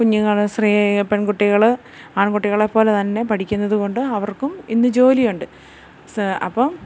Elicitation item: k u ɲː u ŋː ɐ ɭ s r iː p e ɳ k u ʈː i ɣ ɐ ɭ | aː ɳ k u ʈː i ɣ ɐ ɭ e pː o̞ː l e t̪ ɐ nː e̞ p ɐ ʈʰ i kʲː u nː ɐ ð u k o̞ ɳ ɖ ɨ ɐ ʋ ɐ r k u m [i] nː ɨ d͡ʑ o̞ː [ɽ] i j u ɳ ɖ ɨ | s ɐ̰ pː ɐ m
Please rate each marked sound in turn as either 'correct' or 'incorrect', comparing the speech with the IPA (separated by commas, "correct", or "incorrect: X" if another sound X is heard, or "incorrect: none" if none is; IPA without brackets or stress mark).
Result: correct, incorrect: l